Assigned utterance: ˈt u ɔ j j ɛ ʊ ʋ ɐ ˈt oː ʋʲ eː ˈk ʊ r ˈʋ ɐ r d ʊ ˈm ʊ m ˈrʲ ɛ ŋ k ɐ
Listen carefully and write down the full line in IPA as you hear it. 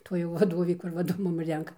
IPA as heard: ˈt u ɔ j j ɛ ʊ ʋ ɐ ˈd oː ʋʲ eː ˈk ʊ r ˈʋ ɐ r d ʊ ˈm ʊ m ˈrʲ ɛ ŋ k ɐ

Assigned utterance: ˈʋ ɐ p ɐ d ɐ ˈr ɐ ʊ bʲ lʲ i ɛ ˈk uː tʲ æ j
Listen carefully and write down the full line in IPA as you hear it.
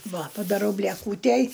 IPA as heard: ˈʋ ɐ p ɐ d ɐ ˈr ɐ ʊ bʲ lʲ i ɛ ˈk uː tʲ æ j

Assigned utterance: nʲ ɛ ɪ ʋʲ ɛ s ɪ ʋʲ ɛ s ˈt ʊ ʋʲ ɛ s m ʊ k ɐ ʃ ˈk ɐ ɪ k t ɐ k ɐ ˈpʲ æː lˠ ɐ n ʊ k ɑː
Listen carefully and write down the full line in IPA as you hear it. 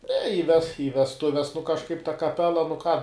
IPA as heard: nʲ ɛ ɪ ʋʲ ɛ s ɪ ʋʲ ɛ s ˈt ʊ ʋʲ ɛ s n ʊ k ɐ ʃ ˈk ɐ ɪ p t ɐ k ɐ ˈpʲ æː lˠ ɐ n ʊ k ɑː

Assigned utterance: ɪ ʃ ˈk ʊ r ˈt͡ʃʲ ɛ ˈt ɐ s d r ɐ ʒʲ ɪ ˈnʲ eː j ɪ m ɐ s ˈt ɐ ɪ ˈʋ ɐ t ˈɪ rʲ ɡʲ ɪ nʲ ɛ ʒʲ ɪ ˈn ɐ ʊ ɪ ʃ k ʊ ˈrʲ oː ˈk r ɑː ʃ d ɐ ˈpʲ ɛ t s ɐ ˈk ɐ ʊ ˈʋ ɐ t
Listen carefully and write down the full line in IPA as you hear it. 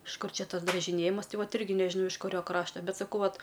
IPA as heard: ɪ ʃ ˈk ʊ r ˈt͡ʃʲ ɛ ˈt ɐ s d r ɐ ʒʲ ɪ ˈnʲ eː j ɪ m ɐ s ˈt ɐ ɪ ˈʋ ɐ t ˈɪ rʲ ɡʲ ɪ nʲ ɛ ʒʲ ɪ ˈn ɐ ʊ ɪ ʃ k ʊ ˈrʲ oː ˈk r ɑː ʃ t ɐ ˈbʲ ɛ t s ɐ ˈk ɐ ʊ ˈʋ ɐ t

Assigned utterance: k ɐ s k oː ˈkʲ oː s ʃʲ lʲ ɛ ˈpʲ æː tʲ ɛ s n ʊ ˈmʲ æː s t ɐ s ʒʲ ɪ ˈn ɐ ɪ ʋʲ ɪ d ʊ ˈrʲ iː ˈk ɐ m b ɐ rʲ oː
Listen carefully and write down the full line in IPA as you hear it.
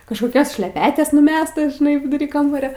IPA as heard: k ɐ ʃ k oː ˈkʲ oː s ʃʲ lʲ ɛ ˈpʲ æː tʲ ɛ s n ʊ ˈmʲ æː s t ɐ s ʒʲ ɪ ˈn ɐ ɪ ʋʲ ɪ d ʊ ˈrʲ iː ˈk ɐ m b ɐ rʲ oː

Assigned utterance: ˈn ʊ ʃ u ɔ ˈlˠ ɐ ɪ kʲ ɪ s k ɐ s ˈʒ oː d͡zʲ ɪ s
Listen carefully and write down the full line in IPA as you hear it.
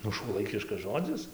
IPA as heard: ˈn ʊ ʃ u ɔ ˈlˠ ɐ ɪ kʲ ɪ ʃ k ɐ s ˈʒ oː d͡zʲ ɪ s

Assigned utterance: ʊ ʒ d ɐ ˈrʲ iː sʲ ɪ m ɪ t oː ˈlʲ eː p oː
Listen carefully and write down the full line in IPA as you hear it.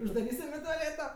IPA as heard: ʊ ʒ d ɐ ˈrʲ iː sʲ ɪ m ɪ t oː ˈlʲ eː t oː

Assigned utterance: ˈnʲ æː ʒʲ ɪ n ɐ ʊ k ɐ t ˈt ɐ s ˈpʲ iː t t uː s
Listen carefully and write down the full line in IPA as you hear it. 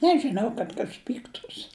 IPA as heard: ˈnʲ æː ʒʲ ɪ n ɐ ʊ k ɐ t ˈk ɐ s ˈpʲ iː k t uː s

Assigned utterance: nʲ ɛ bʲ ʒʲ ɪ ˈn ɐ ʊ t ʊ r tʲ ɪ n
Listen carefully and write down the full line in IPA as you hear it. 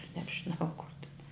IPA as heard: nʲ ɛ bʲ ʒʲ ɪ ˈn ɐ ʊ k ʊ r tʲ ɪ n

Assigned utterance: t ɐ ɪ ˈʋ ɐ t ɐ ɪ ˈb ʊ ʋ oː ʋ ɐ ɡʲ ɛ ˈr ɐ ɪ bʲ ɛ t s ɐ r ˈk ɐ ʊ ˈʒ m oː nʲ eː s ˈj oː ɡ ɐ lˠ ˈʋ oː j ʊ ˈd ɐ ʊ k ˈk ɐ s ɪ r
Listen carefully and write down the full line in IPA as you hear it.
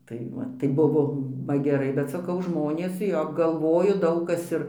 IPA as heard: t ɐ ɪ ˈʋ ɐ t ɐ ɪ ˈb ʊ ʋ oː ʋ ɐ ɡʲ ɛ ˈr ɐ ɪ bʲ ɛ t s ɐ ˈk ɐ ʊ ˈʒ m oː nʲ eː s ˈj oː ɡ ɐ lˠ ˈʋ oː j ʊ ˈd ɐ ʊ k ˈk ɐ s ɪ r

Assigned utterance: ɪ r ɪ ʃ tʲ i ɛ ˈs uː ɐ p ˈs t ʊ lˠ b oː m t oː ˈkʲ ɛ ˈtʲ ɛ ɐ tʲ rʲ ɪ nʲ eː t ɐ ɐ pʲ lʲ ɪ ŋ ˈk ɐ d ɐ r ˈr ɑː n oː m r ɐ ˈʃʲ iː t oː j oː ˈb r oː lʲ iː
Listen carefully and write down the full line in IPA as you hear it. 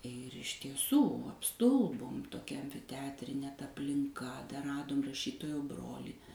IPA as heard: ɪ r ɪ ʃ tʲ i ɛ ˈs uː ɐ p ˈs t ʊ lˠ b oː m t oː ˈkʲ ɛ ˈtʲ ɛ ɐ tʲ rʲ ɪ nʲ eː t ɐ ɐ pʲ lʲ ɪ ŋ ˈk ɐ d ɐ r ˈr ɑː d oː m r ɐ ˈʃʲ iː t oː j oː ˈb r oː lʲ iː

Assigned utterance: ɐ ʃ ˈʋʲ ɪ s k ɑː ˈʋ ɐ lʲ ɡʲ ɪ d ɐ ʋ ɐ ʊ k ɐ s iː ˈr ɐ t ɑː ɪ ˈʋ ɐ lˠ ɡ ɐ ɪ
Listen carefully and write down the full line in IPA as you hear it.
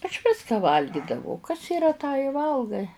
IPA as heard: ɐ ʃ ˈʋʲ ɪ s k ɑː ˈʋ ɐ lʲ ɡʲ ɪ d ɐ ʋ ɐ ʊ k ɐ s iː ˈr ɐ t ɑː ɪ ˈʋ ɐ lˠ ɡ ɐ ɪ

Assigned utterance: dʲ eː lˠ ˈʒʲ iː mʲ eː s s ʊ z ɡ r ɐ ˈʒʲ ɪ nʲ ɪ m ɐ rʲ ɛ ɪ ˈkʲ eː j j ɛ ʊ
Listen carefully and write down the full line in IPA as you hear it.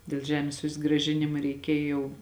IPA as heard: dʲ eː lˠ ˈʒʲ æː mʲ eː s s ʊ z ɡ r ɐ ˈʒʲ ɪ nʲ ɪ m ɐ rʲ ɛ ɪ ˈkʲ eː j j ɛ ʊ

